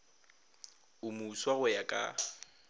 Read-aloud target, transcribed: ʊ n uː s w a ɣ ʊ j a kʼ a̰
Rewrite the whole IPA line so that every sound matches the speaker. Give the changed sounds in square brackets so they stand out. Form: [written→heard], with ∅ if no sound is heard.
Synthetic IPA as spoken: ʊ [n→m] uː s w a ɣ ʊ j a kʼ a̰